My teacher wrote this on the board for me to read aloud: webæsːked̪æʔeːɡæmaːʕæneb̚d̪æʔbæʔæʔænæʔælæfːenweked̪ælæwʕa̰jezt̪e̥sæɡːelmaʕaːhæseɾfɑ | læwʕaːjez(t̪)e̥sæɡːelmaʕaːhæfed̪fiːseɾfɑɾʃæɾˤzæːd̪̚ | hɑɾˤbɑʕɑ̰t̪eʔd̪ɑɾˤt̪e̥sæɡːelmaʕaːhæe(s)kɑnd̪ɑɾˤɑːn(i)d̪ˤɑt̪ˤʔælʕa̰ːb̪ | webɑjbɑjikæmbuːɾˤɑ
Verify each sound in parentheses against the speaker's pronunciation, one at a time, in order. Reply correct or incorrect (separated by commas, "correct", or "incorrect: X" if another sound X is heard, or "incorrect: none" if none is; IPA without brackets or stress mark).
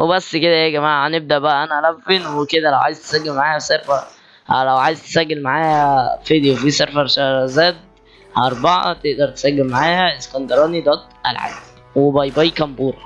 correct, correct, correct